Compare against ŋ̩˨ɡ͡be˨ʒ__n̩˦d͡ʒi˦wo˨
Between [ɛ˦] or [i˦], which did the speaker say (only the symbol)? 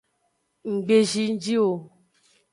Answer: i˦